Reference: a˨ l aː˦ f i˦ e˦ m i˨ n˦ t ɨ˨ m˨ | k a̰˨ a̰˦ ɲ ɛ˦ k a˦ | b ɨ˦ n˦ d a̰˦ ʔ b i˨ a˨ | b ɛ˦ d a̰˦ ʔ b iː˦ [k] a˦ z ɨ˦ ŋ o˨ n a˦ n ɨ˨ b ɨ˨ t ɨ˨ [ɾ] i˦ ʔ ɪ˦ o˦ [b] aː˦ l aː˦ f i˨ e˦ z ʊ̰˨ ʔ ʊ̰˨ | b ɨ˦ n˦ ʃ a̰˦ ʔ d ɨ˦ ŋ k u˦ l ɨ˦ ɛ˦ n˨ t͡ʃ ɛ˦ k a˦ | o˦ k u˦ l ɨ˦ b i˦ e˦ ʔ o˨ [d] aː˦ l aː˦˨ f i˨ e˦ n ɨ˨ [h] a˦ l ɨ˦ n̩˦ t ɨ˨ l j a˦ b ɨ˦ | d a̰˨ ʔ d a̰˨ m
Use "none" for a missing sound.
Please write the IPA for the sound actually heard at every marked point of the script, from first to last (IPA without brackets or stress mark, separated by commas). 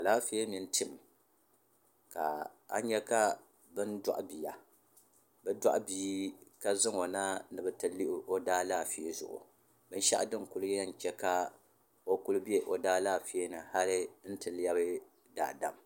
k, l, d, d, h